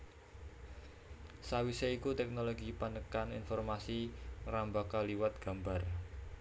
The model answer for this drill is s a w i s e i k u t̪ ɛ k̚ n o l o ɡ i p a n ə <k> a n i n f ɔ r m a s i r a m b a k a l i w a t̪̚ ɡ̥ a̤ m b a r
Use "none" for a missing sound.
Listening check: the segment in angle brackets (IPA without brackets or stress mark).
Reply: k